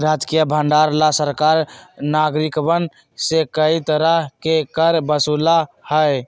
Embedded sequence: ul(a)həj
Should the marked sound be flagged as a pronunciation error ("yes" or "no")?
no